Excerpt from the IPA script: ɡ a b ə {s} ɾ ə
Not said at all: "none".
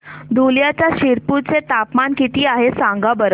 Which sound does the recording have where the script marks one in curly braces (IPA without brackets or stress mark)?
none